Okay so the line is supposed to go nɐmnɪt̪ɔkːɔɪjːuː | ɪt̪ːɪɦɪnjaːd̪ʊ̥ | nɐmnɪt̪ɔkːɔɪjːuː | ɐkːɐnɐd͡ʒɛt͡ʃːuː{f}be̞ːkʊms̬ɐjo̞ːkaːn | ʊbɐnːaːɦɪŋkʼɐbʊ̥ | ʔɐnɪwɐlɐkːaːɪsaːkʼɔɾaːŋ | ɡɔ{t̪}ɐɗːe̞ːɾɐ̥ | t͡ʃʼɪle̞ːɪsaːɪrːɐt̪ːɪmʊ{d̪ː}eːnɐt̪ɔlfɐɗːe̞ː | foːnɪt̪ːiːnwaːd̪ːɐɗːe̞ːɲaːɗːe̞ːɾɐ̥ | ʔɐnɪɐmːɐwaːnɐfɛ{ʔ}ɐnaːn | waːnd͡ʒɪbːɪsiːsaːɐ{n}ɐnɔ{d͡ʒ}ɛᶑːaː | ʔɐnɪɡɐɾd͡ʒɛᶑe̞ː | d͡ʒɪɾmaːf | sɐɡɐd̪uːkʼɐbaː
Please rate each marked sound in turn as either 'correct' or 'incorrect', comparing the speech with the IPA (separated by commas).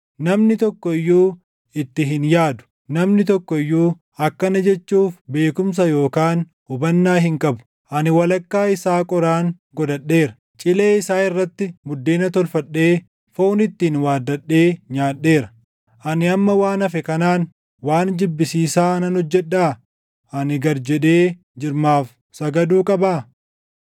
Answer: correct, incorrect, correct, incorrect, correct, incorrect